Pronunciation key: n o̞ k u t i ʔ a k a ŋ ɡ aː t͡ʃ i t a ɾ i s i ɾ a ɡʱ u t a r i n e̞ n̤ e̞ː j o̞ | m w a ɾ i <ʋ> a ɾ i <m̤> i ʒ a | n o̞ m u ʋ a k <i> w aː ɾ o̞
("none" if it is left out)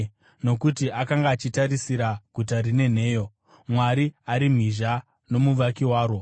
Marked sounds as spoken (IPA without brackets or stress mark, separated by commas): none, m̤, i